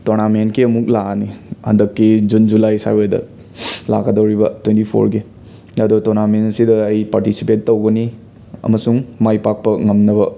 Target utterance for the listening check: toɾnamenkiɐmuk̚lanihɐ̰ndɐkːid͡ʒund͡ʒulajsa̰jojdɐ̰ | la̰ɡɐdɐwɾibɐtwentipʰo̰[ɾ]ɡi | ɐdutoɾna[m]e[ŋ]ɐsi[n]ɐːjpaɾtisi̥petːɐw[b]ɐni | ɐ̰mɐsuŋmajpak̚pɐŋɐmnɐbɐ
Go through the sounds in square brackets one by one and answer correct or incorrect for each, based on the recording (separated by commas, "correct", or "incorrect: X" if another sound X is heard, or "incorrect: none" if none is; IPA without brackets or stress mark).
correct, correct, incorrect: n, incorrect: d, incorrect: ɡ